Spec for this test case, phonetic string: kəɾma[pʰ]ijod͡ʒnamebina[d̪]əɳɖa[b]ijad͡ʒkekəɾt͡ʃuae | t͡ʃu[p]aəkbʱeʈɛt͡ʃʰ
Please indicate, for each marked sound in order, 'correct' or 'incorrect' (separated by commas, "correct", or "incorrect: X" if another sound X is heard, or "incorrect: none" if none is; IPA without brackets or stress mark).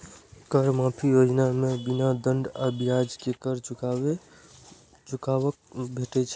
correct, correct, correct, incorrect: k